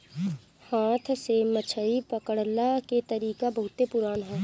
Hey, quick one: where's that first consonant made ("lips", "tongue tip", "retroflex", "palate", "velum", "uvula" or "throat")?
throat